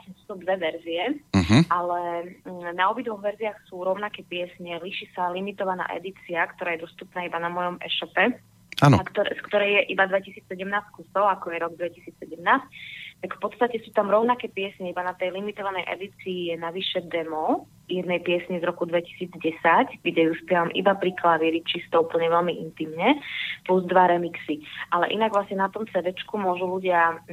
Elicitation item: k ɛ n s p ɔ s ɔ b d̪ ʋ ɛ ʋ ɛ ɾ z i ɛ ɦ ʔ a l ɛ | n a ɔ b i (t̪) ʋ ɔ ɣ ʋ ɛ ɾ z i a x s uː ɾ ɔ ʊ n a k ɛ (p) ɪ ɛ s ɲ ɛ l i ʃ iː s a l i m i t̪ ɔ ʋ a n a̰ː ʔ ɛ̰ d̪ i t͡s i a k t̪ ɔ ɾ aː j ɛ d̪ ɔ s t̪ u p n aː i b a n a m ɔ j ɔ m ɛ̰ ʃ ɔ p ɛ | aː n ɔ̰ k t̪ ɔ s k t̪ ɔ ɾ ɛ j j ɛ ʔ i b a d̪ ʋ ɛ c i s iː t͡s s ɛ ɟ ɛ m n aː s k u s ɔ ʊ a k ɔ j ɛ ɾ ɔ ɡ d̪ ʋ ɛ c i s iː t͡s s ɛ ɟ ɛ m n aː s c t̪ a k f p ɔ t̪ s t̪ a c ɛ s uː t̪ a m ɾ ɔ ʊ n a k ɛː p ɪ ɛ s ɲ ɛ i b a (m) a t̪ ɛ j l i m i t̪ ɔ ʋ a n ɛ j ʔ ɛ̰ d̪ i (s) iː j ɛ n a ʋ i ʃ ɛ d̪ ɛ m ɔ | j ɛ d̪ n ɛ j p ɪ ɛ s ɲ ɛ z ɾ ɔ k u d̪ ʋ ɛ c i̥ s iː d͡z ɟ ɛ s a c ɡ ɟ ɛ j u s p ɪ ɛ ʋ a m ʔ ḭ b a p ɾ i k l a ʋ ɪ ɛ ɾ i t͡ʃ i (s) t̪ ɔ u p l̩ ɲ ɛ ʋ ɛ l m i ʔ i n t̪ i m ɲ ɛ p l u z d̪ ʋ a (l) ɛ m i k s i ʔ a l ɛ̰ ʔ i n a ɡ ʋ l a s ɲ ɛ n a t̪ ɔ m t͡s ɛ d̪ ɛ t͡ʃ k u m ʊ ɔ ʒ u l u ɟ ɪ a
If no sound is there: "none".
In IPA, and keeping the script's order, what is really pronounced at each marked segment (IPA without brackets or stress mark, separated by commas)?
d̪, p, n, t͡s, s, ɾ